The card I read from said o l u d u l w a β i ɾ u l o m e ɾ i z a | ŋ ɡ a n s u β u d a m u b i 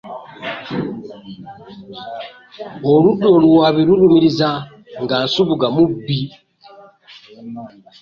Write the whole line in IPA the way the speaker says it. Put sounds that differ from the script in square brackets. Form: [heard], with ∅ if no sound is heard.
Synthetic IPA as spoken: o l u d [o] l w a β i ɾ u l [u] m [i] ɾ i z a | ŋ ɡ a n s u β u [ɡ] a m u b i

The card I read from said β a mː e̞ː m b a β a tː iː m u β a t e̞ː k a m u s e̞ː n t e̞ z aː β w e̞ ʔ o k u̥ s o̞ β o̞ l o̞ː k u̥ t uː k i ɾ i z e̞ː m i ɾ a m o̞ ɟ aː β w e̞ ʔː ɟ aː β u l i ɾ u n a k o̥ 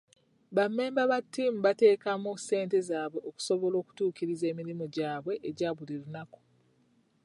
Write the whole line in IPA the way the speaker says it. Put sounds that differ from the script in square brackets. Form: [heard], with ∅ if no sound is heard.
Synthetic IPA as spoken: β a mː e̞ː m b a β a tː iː m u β a t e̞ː k a m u s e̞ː n t e̞ z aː β w e̞ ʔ o k u̥ s o̞ β o̞ l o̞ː k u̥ t uː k i ɾ i z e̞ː m i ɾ [i] m o̞ ɟ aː β w e̞ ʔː ɟ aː β u l i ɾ u n a k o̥

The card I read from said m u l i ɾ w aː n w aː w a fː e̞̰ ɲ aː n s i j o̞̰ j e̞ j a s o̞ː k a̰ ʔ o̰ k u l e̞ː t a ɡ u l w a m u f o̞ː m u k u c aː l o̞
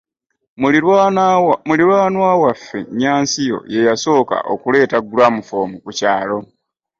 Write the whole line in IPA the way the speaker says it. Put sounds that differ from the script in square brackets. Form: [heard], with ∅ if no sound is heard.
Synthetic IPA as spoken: m u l i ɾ w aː n w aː w a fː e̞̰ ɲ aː n s i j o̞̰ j e̞ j a s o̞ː k a̰ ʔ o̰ k u l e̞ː t a ɡ u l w a m u f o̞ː m u k u c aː l o̞

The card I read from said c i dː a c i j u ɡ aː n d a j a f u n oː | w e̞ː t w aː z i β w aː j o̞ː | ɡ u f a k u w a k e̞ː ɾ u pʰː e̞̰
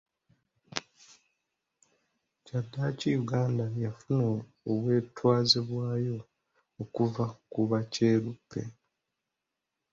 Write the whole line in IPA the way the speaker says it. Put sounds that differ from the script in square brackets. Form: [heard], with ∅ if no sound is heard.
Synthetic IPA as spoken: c [a] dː a c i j u ɡ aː n d a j a f u n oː | w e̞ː t w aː z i β w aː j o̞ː | [k] u [v] a k u [β] a [c] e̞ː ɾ u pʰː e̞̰

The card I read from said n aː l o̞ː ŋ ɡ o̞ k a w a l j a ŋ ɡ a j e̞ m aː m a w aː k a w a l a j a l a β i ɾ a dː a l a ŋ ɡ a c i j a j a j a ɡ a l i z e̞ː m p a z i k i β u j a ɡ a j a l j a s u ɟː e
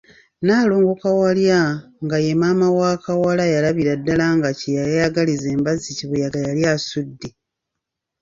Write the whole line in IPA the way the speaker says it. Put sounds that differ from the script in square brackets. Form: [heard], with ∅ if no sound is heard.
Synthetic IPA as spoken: n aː l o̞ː ŋ ɡ o̞ k a w a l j a ŋ ɡ a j e̞ m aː m a w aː k a w a l a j a l a β i ɾ a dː a l a ŋ ɡ a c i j a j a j a ɡ a l i z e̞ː m [b] a z i [c] i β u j a ɡ a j a l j a s u [dː] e

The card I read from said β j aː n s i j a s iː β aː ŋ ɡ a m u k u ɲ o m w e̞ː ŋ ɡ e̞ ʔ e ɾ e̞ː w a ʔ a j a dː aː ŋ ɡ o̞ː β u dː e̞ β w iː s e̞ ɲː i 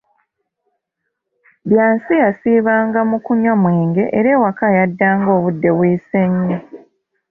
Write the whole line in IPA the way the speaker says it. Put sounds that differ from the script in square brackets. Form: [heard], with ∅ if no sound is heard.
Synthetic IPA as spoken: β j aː n s i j a s iː β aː ŋ ɡ a m u k u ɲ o m w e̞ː ŋ ɡ e̞ ʔ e ɾ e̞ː w a [k] a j a dː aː ŋ ɡ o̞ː β u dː e̞ β w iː s e̞ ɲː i

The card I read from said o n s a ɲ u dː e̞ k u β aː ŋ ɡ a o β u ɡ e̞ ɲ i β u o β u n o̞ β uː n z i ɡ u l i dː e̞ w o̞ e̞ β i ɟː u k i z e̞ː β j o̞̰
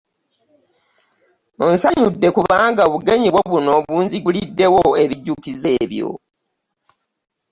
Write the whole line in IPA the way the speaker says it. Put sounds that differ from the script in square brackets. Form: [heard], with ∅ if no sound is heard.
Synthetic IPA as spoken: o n s a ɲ u dː e̞ k u β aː ŋ ɡ a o β u ɡ e̞ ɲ i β [w] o β u n o̞ β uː n z i ɡ u l i dː e̞ w o̞ e̞ β i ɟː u k i z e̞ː β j o̞̰

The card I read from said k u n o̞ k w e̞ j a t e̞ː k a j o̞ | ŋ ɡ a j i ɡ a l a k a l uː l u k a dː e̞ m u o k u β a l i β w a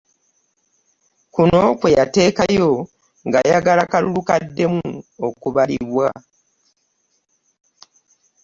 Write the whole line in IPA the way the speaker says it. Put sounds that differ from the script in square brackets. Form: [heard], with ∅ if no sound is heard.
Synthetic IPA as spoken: k u n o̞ k w e̞ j a t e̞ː k a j o̞ | ŋ ɡ a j [a] ɡ a l a k a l [u] l u k a dː e̞ m u o k u β a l i β w a

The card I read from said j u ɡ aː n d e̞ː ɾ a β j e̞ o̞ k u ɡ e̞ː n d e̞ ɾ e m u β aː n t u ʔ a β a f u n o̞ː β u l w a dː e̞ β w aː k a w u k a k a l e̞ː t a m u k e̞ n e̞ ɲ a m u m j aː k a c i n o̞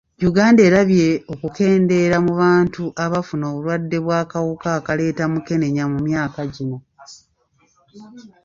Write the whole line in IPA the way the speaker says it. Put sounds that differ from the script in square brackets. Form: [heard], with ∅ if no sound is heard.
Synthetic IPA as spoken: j u ɡ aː n d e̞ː ɾ a β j e̞ o̞ k u [k] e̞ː n d e̞ ɾ [a] m u β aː n t u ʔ a β a f u n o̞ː β u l w a dː e̞ β w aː k a w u k a k a l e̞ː t a m u k e̞ n e̞ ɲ a m u m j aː k a [ɟ] i n o̞

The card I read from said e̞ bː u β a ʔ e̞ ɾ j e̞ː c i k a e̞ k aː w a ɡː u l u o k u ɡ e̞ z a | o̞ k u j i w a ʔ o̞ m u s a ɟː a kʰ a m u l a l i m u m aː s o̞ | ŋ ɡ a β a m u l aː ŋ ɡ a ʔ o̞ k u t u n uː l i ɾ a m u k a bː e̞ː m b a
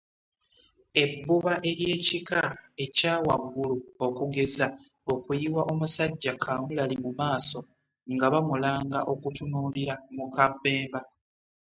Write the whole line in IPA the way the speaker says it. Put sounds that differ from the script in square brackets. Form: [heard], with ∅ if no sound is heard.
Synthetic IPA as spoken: e̞ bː u β a ʔ e̞ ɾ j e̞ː c i k a e̞ [c] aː w a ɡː u l u o k u ɡ e̞ z a | o̞ k u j i w a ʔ o̞ m u s a ɟː a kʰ a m u l a l i m u m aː s o̞ | ŋ ɡ a β a m u l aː ŋ ɡ a ʔ o̞ k u t u n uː l i ɾ a m u k a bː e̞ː m b a

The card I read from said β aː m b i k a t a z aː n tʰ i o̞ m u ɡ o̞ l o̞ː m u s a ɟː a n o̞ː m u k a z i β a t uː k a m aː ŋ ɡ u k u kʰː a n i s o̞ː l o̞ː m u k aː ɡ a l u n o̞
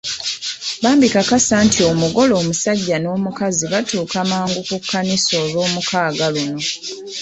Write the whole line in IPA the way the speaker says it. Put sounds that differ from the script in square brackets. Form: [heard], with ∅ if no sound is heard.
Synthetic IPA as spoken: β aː m b i k a [k] a [s] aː n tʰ i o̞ m u ɡ o̞ l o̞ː m u s a ɟː a n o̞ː m u k a z i β a t uː k a m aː ŋ ɡ u k u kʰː a n i s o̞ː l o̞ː m u k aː ɡ a l u n o̞

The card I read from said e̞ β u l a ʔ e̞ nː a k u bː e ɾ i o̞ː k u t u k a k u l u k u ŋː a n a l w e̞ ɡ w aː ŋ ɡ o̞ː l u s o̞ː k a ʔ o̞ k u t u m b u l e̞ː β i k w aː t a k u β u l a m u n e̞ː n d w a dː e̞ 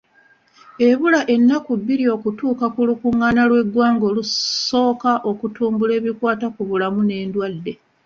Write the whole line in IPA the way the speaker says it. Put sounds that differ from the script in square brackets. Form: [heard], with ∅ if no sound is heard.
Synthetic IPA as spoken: e̞ β u l a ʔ e̞ nː a k u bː [i] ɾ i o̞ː k u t [uː] k a k u l u k u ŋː a n a l w e̞ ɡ w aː ŋ ɡ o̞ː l u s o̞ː k a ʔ o̞ k u t [uː] m b u l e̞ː β i k w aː t a k u β u l a m u n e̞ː n d w a dː e̞

